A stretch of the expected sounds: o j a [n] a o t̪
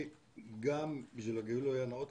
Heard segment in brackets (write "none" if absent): n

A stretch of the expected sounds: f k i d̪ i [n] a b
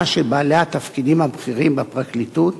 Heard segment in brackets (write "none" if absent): m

